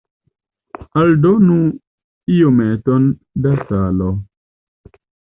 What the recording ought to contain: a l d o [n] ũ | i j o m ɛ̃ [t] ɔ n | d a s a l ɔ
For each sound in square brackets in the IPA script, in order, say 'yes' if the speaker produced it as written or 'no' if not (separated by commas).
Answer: yes, yes